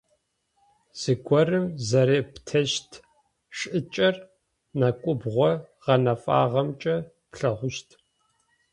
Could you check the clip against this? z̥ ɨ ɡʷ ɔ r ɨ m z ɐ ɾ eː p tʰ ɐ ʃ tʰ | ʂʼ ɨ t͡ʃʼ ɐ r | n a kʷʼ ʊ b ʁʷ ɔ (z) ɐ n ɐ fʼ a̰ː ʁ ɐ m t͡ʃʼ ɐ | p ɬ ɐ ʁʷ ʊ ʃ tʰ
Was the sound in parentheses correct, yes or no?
no